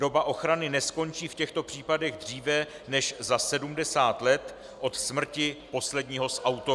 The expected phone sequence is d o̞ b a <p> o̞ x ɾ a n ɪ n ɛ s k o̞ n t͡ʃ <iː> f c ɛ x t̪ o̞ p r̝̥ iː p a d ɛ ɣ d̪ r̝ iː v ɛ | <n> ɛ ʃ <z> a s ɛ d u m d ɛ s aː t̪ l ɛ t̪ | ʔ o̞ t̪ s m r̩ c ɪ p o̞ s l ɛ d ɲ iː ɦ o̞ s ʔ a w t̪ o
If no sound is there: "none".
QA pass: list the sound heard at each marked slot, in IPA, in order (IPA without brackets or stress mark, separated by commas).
ʔ, iː, n, z